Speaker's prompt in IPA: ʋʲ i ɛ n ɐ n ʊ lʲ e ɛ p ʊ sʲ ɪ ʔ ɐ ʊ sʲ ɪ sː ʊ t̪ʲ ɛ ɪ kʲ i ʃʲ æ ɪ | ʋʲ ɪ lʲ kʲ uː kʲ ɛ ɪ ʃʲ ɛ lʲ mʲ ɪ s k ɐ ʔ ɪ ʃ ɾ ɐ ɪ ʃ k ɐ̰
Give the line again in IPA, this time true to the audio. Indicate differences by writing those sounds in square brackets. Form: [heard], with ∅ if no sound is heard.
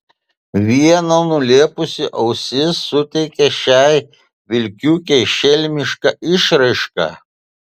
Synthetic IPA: ʋʲ i ɛ n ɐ n ʊ lʲ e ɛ p ʊ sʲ ɪ ʔ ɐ ʊ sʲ ɪ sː ʊ t̪ʲ ɛ ɪ kʲ [ɛ] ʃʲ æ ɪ | ʋʲ ɪ lʲ kʲ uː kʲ ɛ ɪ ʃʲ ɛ lʲ mʲ ɪ [ʃ] k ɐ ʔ ɪ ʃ ɾ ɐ ɪ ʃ k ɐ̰